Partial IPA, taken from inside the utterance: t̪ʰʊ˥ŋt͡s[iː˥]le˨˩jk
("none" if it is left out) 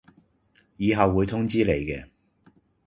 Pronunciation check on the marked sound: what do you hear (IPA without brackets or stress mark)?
iː˥